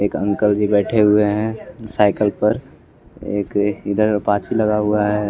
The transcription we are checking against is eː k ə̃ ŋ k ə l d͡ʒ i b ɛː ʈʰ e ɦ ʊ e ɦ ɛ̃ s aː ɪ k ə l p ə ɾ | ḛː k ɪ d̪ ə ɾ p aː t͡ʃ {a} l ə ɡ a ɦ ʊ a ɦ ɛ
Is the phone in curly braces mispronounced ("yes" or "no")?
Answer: yes